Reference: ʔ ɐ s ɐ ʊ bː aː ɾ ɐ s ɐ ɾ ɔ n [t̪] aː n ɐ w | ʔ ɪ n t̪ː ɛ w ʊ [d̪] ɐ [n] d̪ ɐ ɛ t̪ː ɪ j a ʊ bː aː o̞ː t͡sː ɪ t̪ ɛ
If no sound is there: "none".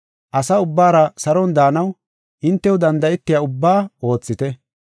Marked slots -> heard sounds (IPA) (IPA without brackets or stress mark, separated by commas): d̪, d̪, n